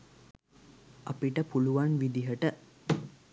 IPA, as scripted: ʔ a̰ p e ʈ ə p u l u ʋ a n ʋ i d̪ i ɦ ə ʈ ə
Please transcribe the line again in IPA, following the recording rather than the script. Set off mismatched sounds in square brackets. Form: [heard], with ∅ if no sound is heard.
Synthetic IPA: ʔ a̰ p [i] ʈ ə p u l u ʋ a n ʋ i d̪ i ɦ ə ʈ ə